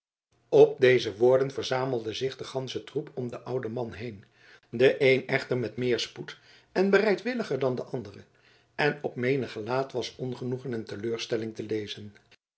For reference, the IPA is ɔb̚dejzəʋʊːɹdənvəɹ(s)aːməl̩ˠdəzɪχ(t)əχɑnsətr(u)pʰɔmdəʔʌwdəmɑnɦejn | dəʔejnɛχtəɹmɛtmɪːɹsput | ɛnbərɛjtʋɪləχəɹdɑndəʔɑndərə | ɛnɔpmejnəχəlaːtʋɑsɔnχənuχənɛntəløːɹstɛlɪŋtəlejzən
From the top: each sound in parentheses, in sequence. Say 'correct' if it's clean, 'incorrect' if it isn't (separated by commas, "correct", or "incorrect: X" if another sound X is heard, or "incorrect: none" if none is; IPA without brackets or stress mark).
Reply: incorrect: z, incorrect: d, correct